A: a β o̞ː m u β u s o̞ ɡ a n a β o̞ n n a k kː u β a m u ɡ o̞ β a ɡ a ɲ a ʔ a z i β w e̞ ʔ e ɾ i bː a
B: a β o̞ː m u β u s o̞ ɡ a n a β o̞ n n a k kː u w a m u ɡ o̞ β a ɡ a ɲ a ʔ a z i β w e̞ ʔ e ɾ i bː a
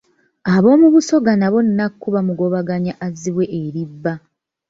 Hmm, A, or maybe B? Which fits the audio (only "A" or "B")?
A